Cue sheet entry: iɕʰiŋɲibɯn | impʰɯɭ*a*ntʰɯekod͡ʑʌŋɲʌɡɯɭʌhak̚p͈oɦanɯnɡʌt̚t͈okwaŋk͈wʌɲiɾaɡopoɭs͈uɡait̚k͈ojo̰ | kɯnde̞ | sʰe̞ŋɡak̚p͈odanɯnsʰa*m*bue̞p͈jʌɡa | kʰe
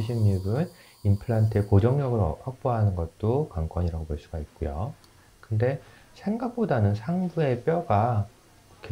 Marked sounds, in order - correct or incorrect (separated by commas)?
correct, incorrect